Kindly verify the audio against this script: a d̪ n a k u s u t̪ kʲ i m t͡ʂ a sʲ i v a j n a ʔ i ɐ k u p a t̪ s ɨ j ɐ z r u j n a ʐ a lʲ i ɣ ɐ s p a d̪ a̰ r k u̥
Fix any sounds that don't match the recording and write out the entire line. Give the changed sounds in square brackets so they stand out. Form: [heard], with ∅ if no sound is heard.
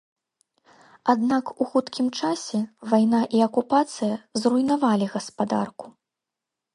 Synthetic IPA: a d̪ n a k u [x] u t̪ kʲ i m t͡ʂ a sʲ [ɛ] v a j n a ʔ i ɐ k u p a t̪ s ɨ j ɐ z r u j n a [v] a lʲ i ɣ ɐ s p a d̪ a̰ r k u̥